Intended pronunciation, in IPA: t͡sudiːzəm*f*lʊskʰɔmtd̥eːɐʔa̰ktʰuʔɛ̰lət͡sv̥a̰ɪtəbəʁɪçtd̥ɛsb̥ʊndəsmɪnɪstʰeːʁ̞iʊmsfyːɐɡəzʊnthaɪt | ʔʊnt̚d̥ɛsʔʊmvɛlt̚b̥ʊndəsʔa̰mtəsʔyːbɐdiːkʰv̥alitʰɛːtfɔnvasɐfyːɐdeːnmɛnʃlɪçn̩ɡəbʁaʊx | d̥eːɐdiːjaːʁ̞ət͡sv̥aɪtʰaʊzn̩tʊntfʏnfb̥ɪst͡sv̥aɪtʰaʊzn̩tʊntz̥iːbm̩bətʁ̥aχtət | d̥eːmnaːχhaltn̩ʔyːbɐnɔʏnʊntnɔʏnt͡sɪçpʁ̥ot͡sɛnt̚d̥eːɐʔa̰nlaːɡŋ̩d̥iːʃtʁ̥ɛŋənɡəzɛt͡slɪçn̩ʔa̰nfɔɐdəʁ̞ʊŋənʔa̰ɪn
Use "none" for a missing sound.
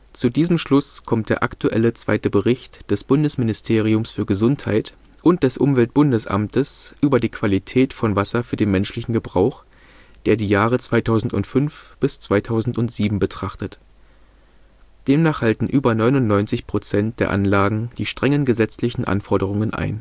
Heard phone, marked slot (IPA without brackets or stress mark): ʃ